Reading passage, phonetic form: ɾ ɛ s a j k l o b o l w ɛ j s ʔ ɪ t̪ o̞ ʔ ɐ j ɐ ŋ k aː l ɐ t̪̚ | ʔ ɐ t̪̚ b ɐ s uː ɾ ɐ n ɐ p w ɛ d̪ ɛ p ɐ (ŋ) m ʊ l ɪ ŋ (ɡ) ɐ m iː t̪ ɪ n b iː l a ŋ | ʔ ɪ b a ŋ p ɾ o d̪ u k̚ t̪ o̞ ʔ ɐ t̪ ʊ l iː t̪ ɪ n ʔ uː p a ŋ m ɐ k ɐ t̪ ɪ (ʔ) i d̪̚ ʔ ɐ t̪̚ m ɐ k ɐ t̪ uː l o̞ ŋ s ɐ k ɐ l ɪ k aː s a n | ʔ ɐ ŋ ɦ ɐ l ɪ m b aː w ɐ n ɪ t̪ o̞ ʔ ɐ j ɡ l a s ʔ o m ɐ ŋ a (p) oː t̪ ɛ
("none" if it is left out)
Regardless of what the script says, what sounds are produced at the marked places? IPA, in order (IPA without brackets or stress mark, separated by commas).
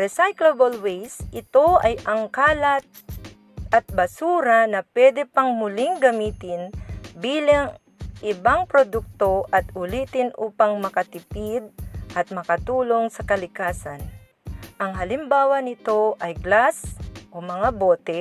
ŋ, ɡ, p, b